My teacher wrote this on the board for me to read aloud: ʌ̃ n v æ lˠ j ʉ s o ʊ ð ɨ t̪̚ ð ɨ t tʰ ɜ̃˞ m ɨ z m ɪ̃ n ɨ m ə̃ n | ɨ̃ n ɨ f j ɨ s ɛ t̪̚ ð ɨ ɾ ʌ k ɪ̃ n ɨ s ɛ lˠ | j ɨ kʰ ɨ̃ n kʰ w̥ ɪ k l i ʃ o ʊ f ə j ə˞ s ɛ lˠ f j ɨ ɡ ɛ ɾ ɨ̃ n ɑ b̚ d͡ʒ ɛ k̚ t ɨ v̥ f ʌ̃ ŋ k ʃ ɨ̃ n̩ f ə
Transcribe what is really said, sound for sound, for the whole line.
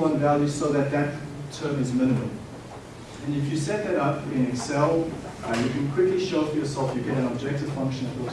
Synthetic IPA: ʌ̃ n v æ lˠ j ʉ s o ʊ ð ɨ t̪̚ ð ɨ t tʰ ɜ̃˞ m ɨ z m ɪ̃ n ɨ m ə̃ m | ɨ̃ n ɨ f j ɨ s ɛ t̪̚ ð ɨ ɾ ʌ p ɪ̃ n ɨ s ɛ lˠ | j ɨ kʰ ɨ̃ n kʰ w̥ ɪ k l i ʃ o ʊ f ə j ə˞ s ɛ lˠ f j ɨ ɡ ɛ ɾ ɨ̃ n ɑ b̚ d͡ʒ ɛ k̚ t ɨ v̥ f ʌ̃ ŋ k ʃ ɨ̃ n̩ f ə